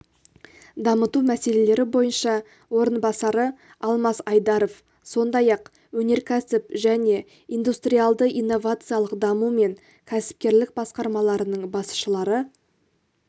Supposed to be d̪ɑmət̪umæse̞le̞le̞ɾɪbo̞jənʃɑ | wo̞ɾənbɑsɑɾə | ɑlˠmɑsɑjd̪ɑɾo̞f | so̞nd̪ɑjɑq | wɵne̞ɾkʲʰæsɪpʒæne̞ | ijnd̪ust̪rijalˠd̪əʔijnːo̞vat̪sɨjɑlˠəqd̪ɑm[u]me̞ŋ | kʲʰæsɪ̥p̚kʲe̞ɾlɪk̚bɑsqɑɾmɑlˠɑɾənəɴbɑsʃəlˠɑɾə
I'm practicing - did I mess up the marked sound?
no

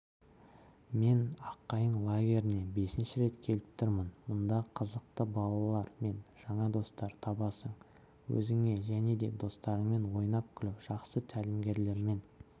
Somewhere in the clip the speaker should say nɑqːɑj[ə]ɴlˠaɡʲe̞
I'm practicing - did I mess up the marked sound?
no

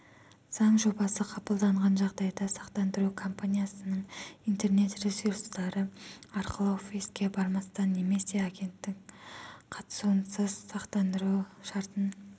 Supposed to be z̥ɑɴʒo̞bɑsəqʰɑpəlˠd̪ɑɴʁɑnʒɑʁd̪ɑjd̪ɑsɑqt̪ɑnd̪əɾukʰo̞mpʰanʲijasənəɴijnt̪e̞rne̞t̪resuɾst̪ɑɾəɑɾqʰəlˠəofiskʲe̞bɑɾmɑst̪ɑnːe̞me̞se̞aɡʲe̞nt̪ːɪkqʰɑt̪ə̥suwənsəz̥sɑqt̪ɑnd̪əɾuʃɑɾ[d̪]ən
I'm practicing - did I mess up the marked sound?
yes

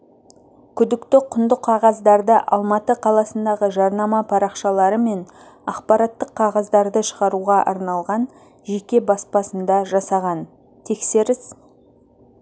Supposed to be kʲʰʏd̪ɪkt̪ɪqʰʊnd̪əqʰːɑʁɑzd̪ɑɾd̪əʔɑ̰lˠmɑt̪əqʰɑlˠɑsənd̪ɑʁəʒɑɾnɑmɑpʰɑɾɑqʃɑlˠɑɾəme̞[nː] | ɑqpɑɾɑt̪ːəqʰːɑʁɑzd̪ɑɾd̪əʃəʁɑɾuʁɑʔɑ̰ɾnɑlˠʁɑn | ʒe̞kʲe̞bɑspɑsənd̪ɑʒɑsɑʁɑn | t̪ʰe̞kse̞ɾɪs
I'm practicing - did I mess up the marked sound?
yes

